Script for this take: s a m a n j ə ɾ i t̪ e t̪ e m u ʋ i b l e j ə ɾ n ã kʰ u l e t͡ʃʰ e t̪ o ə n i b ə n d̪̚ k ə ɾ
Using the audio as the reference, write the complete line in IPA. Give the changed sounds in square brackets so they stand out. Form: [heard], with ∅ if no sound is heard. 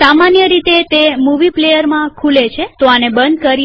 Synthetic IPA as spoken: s a m a n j ə ɾ i t̪ e t̪ e m u ʋ i [p] l e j ə ɾ [m] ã kʰ u l e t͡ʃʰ e t̪ o [a] n [e] b ə n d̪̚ k ə ɾ